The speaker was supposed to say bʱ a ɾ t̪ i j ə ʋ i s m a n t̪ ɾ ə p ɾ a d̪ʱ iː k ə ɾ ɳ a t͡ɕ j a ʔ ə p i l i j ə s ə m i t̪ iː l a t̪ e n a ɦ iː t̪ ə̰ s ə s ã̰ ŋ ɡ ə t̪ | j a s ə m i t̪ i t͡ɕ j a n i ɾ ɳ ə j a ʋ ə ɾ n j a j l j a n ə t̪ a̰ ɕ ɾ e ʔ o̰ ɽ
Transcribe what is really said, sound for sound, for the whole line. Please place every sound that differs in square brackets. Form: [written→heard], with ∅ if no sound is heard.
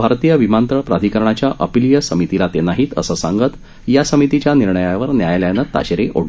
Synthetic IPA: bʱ a ɾ t̪ i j ə ʋ i [s→∅] m a n t̪ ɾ ə p ɾ a d̪ʱ [iː→i] k ə ɾ ɳ a t͡ɕ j a ʔ ə p i l i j ə s ə m i t̪ [iː→i] l a t̪ e n a ɦ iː t̪ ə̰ s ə s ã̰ ŋ ɡ ə t̪ | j a s ə m i t̪ i t͡ɕ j a n i ɾ ɳ ə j a ʋ ə ɾ n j a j l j a n ə t̪ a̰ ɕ ɾ e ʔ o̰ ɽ